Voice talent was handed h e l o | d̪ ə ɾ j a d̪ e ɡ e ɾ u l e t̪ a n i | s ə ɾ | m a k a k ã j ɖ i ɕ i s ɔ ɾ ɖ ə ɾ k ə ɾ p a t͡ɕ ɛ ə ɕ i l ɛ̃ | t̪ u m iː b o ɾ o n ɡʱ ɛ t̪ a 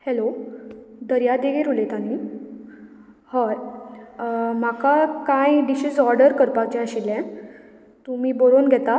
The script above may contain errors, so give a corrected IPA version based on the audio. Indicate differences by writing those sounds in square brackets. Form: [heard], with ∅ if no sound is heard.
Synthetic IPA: h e l o | d̪ ə ɾ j a d̪ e ɡ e ɾ u l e t̪ a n i | [h] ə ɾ | m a k a k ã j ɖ i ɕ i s ɔ ɾ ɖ ə ɾ k ə ɾ p a t͡ɕ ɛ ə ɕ i l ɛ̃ | t̪ u m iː b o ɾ o n ɡʱ ɛ t̪ a